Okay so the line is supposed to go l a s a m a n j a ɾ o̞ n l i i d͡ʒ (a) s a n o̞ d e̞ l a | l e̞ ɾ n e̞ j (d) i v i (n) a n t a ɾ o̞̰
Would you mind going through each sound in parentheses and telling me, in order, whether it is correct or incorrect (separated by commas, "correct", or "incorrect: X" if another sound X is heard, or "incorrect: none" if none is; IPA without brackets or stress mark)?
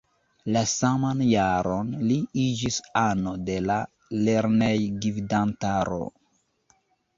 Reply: incorrect: i, incorrect: ɡ, incorrect: d